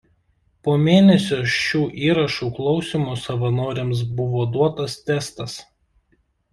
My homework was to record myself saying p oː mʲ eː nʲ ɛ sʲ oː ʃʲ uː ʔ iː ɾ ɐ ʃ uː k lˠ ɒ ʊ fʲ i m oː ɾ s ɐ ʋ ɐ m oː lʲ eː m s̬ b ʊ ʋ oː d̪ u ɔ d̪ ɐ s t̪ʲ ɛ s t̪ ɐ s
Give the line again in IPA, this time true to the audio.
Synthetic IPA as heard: p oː mʲ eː nʲ ɛ sʲ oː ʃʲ uː ʔ iː ɾ ɐ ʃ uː k lˠ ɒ ʊ sʲ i m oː s ɐ ʋ ɐ n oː ɾʲ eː m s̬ b ʊ ʋ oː d̪ u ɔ t̪ ɐ s t̪ʲ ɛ s t̪ ɐ s